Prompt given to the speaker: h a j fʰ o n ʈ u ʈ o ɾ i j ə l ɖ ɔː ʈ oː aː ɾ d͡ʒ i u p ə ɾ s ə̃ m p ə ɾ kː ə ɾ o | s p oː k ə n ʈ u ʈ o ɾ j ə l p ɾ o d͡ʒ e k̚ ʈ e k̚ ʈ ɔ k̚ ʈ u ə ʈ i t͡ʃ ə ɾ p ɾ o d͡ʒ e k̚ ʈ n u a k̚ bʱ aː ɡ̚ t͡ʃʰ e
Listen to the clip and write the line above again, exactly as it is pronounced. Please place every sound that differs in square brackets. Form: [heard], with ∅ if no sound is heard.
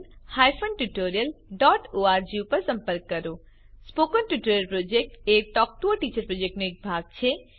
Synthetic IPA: h a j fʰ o n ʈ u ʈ o ɾ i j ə l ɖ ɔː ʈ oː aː ɾ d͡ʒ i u p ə ɾ s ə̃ m p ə ɾ kː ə ɾ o | s p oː k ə n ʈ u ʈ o ɾ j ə l p ɾ o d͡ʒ e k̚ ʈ e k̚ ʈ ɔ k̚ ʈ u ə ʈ i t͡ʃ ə ɾ p ɾ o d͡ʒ e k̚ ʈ n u [e] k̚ bʱ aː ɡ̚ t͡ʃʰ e